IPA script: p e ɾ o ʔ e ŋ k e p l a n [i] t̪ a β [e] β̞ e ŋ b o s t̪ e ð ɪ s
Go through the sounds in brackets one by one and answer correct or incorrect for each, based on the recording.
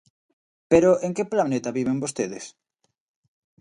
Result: incorrect: e, incorrect: i

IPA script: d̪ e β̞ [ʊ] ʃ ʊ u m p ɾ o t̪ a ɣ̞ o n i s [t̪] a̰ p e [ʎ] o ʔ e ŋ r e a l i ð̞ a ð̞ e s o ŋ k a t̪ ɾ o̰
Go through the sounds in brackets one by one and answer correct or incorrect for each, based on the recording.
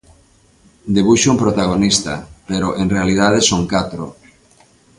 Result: incorrect: u, correct, incorrect: ɾ

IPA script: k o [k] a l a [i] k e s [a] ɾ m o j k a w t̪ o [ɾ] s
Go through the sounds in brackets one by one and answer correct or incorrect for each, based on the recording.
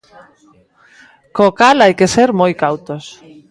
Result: correct, incorrect: j, incorrect: e, incorrect: none

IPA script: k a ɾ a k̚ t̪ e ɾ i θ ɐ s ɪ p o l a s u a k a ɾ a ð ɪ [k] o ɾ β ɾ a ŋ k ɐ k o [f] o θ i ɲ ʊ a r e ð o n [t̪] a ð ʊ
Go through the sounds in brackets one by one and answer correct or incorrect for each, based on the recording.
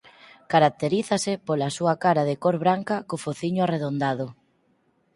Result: correct, correct, incorrect: d̪

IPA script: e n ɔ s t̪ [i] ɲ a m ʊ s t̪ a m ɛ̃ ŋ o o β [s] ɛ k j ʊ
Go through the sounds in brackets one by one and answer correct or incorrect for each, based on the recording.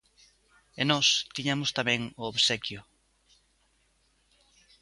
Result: correct, correct

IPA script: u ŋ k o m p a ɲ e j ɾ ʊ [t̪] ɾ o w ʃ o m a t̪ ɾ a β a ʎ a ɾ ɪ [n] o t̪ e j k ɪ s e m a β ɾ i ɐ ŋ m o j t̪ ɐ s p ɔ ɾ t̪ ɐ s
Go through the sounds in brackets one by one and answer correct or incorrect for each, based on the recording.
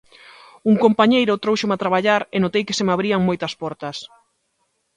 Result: correct, correct

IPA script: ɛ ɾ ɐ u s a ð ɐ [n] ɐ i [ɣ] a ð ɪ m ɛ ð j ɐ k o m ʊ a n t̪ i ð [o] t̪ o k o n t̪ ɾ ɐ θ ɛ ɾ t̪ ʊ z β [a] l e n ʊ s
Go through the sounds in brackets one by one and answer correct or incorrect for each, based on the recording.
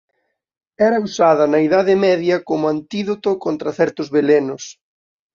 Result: correct, incorrect: ð, correct, incorrect: e

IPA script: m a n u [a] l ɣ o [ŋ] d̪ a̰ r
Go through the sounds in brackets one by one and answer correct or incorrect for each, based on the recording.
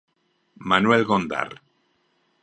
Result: incorrect: e, incorrect: n

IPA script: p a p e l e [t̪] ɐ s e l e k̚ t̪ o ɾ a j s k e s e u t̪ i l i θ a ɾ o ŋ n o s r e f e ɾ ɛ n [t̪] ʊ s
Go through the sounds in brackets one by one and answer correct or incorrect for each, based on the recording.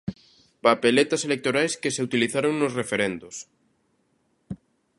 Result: correct, incorrect: d̪

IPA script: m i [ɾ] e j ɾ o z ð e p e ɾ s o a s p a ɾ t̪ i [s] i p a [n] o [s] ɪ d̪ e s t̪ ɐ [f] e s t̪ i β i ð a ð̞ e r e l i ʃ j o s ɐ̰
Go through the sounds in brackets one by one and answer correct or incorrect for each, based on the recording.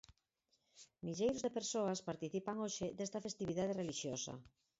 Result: incorrect: ʎ, incorrect: θ, incorrect: ŋ, incorrect: ʃ, correct

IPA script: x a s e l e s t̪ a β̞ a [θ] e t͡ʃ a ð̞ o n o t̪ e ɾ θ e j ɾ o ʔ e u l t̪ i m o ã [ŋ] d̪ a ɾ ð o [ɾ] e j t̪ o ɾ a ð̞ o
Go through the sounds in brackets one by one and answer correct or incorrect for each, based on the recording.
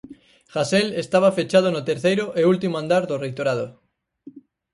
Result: incorrect: f, incorrect: n, incorrect: r

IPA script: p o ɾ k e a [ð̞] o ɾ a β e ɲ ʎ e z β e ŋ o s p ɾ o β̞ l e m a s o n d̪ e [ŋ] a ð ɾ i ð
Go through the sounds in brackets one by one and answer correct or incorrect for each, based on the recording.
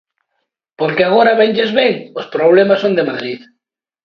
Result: incorrect: ɣ̞, incorrect: m

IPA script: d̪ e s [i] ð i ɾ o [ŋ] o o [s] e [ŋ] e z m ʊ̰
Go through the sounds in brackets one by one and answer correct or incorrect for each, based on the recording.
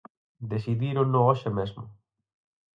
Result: correct, incorrect: n, incorrect: ʃ, incorrect: m

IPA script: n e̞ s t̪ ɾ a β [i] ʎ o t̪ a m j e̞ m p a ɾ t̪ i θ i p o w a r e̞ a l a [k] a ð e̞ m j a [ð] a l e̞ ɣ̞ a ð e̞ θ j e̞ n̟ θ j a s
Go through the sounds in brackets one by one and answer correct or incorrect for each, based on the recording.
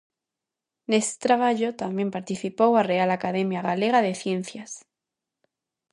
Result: incorrect: a, correct, incorrect: ɣ

